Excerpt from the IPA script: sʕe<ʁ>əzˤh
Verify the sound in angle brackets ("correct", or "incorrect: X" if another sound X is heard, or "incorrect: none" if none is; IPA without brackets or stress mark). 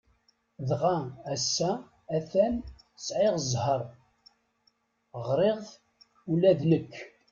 correct